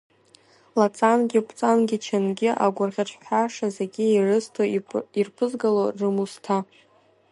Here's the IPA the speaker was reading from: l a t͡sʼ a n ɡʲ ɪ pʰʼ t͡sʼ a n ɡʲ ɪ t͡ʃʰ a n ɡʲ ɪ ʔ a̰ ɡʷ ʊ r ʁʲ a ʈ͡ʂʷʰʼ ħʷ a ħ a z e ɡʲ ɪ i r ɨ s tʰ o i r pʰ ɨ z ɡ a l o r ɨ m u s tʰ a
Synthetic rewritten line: l a t͡sʼ a n ɡʲ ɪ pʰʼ t͡sʼ a n ɡʲ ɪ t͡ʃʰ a n ɡʲ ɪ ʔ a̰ ɡʷ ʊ r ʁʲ a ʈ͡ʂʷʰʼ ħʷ a ʂ a z e ɡʲ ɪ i r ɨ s tʰ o i r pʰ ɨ z ɡ a l o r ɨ m u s tʰ a